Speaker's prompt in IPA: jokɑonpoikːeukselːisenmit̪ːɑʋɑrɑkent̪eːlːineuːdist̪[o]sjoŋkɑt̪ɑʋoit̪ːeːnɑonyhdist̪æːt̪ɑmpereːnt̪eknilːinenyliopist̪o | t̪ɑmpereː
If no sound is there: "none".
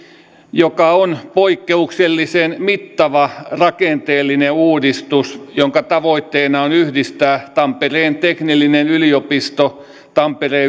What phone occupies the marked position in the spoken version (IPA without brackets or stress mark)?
u